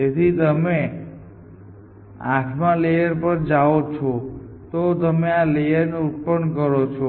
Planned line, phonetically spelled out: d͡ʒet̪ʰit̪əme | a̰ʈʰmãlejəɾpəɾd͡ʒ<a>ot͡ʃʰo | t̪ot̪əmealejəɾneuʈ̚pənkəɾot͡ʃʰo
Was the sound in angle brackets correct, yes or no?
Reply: yes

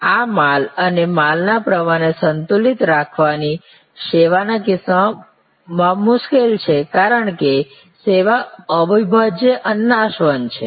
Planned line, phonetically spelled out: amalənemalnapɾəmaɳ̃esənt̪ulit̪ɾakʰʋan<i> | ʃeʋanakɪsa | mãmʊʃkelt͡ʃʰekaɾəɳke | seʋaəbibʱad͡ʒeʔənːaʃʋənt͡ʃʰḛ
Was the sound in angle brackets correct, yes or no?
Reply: yes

